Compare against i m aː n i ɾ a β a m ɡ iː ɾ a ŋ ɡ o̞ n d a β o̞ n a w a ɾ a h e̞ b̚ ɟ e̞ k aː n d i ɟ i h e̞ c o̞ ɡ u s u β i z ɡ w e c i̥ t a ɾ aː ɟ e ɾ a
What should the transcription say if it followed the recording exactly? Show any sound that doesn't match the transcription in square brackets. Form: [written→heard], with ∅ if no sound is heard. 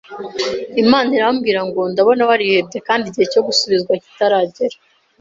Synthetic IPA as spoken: i m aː n i ɾ a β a m ɡ iː ɾ a ŋ ɡ o̞ n d a β o̞ n a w a ɾ [a→i] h e̞ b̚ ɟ e̞ k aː n d i ɟ i h e̞ c o̞ ɡ u s u β i z ɡ w [e→a] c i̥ t a ɾ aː ɟ e ɾ a

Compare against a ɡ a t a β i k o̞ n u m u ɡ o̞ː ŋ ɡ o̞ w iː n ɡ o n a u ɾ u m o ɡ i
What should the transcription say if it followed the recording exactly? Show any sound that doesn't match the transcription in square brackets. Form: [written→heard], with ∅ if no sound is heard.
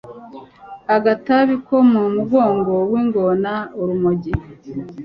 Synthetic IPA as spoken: a ɡ a t a β i k o̞ [n→m] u m u ɡ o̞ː ŋ ɡ o̞ w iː [n→ŋ] ɡ o n a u ɾ u m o [ɡ→ɟ] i

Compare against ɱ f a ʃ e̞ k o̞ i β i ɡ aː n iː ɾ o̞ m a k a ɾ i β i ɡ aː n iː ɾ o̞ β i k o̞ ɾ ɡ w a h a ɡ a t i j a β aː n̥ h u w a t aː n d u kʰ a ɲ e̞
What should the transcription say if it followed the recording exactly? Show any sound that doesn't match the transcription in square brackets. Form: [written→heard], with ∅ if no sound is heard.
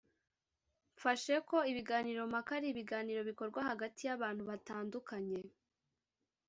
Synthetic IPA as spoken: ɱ f a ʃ e̞ k o̞ i β i ɡ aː n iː ɾ o̞ m a k a ɾ i β i ɡ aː n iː ɾ o̞ β i k o̞ ɾ ɡ w a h a ɡ a t i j a β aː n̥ h u [w→β] a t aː n d u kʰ a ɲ e̞

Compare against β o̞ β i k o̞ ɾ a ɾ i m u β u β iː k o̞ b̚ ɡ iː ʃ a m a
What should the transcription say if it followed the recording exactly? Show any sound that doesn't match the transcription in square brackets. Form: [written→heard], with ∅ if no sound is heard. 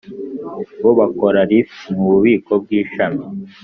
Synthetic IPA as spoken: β o̞ β [i→a] k o̞ ɾ a ɾ i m u β u β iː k o̞ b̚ ɡ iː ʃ a m [a→i]

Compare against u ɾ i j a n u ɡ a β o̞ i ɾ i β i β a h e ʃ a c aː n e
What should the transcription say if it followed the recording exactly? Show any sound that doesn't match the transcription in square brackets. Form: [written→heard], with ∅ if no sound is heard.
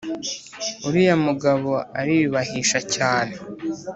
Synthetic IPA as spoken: u ɾ i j a [n→m] u ɡ a β o̞ [i→a] ɾ i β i β a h [e→i] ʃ a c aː n e

